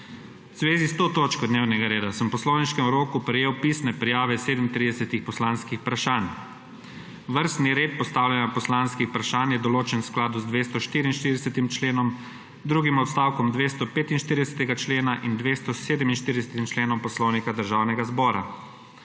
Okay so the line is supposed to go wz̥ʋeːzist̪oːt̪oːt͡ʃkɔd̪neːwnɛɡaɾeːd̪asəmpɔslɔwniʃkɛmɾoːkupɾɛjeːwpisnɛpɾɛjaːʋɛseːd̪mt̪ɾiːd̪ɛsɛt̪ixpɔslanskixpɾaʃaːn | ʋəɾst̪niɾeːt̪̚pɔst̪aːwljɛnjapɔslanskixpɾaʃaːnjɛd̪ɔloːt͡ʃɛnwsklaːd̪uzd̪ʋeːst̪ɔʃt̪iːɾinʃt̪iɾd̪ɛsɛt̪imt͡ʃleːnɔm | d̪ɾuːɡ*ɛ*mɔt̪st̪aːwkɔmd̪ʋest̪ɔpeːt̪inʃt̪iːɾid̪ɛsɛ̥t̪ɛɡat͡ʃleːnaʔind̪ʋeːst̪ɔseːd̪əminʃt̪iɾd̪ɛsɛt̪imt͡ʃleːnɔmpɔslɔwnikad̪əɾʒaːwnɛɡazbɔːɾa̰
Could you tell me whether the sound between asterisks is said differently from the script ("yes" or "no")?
yes